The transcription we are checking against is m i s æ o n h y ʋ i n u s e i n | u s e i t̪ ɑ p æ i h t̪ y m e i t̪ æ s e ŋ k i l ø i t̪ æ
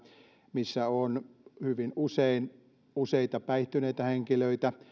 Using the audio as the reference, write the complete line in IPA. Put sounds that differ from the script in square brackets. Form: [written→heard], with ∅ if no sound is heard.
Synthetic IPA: m i [s→sː] æ o n h y ʋ i n u s e i n | u s e i t̪ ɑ p æ i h t̪ y [m→n] e i t̪ æ [s→h] e ŋ k i l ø i t̪ æ